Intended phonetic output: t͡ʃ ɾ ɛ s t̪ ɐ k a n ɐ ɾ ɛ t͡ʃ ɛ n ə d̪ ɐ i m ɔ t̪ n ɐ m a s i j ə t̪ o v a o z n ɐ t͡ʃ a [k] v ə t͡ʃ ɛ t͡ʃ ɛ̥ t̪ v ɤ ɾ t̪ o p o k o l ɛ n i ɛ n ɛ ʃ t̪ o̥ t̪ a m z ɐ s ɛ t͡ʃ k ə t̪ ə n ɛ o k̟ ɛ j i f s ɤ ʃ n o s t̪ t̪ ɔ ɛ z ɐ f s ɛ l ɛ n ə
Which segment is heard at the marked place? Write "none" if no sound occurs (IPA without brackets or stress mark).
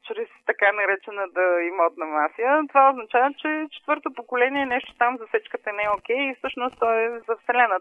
none